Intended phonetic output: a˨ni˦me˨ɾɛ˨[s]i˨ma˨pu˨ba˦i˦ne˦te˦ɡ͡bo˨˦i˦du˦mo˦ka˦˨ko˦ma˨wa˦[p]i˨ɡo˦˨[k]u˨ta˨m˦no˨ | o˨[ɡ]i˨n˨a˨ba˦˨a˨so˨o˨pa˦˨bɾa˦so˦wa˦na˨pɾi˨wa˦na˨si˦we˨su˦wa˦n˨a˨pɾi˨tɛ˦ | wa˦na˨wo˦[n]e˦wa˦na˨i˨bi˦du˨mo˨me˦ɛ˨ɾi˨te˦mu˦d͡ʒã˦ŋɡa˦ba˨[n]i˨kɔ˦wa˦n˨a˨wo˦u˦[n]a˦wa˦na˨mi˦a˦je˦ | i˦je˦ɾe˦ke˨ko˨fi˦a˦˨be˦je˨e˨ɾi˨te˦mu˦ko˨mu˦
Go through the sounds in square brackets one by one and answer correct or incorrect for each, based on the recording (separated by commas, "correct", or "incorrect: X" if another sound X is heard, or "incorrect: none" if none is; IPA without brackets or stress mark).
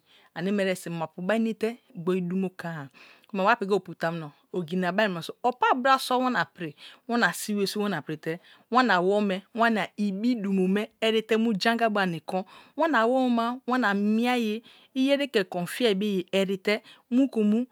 correct, correct, incorrect: p, correct, incorrect: m, correct, incorrect: m